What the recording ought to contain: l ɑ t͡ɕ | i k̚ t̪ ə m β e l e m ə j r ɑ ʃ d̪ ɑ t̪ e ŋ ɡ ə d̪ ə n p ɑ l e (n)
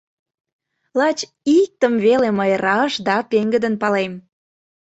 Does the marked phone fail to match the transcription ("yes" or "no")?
yes